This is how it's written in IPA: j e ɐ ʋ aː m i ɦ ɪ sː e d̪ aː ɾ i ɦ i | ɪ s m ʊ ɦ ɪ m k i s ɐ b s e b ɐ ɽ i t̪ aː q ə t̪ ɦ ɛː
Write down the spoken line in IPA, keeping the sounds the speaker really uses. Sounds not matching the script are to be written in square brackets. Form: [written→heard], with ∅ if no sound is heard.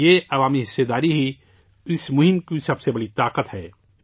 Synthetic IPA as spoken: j e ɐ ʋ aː m i ɦ ɪ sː e d̪ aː ɾ i ɦ i | ɪ s m ʊ ɦ ɪ m k i s ɐ b s e b ɐ ɽ i t̪ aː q ə t̪ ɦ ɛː